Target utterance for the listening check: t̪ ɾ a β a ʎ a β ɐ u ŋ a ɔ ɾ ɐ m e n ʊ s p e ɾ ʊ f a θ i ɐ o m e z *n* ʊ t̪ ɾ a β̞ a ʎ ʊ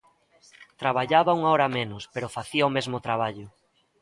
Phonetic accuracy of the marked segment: incorrect: m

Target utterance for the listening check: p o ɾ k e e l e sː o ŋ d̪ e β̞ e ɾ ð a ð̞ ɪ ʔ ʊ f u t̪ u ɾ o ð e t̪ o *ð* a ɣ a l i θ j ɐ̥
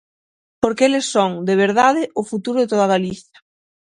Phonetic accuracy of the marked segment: correct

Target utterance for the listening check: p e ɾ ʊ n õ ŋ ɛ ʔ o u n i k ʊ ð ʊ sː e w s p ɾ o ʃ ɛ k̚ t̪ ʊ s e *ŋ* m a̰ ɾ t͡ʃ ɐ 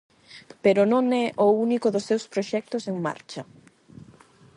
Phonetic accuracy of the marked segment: correct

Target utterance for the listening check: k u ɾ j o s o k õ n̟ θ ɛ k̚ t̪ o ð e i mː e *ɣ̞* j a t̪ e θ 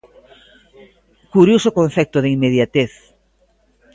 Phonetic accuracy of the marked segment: incorrect: ð̞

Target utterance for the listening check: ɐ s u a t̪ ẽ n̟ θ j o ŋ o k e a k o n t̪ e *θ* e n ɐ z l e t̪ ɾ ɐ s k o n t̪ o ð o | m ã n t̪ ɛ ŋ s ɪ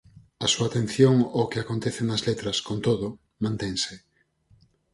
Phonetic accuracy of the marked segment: correct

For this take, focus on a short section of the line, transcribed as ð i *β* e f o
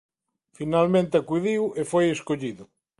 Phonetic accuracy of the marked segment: incorrect: w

